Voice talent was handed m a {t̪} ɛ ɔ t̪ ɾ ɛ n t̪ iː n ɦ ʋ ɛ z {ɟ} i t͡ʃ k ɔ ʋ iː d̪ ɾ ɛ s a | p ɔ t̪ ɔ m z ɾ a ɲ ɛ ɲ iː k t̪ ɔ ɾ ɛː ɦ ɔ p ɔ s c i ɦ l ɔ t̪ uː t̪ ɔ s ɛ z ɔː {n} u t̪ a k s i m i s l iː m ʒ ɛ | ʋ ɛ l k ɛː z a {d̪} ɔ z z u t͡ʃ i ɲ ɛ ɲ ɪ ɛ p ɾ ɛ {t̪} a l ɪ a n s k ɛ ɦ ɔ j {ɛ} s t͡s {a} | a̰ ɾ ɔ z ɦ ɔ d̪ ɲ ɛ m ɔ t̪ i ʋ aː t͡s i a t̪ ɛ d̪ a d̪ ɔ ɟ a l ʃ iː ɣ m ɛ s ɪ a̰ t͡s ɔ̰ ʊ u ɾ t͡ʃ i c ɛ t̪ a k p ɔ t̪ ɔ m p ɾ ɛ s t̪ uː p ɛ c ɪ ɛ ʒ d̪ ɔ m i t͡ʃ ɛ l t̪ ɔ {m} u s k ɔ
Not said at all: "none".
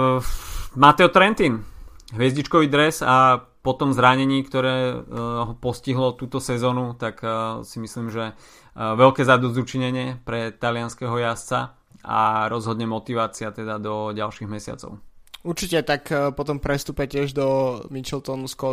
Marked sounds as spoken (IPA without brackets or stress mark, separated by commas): t̪, ɟ, n, d̪, t̪, a, a, n